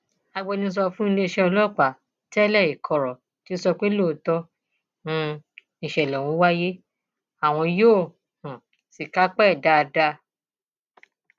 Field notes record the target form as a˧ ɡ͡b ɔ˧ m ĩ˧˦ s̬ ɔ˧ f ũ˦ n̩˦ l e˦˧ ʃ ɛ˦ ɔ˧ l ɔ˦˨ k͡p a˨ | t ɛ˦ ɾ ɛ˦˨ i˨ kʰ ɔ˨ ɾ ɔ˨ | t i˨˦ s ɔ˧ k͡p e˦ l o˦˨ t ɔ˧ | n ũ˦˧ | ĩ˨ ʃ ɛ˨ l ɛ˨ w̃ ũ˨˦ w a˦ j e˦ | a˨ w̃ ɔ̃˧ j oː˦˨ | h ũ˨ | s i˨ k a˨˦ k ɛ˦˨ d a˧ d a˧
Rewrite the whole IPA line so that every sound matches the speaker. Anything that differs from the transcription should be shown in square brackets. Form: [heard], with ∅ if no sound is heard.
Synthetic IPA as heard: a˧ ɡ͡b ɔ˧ [n] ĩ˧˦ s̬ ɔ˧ f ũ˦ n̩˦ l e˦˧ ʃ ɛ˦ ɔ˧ l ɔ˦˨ k͡p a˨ | t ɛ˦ [l] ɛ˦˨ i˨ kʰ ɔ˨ ɾ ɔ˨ | t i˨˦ s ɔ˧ k͡p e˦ l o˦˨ t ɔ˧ | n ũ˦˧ | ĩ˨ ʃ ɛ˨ l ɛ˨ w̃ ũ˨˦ w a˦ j e˦ | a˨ w̃ ɔ̃˧ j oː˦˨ | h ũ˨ | s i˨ k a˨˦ [k͡p] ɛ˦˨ d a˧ d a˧